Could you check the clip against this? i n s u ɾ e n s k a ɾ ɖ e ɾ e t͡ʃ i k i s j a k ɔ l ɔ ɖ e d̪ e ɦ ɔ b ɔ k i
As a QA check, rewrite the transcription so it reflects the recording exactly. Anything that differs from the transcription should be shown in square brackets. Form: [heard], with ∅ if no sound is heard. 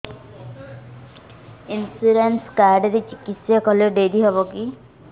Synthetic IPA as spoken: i n s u ɾ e n s k a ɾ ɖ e ɾ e t͡ʃ i k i s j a k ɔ l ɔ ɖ e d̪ [i] ɦ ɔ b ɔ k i